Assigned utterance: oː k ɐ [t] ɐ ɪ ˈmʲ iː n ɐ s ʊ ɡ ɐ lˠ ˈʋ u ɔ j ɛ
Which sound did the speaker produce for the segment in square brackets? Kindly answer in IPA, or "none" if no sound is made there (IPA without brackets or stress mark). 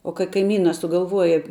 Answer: k